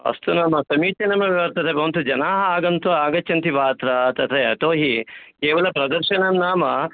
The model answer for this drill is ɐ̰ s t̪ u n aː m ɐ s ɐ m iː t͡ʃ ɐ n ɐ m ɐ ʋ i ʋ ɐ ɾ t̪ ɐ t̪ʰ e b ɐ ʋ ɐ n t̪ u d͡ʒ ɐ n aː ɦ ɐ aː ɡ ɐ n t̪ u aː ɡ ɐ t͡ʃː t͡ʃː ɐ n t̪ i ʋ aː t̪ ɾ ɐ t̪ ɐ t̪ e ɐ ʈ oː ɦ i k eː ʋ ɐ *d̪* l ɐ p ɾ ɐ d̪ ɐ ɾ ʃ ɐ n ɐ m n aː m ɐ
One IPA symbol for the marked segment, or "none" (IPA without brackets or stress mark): none